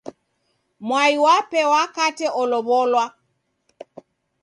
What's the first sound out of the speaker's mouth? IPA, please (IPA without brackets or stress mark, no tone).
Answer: m